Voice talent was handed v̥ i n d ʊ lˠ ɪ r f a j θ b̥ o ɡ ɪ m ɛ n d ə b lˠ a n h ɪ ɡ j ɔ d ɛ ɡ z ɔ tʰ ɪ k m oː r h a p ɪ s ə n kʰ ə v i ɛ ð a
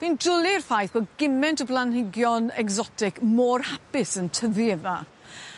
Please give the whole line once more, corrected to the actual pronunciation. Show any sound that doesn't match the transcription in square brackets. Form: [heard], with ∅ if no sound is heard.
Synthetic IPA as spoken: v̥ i n d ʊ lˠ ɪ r f a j θ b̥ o ɡ ɪ m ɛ n [t] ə b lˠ a n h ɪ ɡ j ɔ [n] ɛ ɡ z ɔ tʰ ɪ k m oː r h a p ɪ s ə n [tʰ] ə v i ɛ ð a